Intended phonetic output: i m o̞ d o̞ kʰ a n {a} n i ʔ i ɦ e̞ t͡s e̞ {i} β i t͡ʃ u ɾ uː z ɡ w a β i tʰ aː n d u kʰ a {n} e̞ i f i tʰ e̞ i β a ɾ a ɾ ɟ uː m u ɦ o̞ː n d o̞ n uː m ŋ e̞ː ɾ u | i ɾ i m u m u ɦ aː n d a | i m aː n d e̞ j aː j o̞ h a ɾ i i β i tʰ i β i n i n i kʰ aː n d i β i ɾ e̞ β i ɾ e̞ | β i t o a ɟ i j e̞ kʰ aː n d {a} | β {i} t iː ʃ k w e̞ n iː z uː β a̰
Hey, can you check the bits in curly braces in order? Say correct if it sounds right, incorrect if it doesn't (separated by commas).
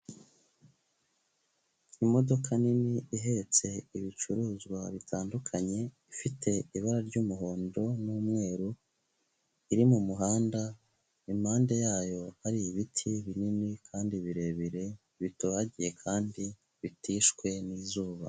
incorrect, correct, incorrect, incorrect, correct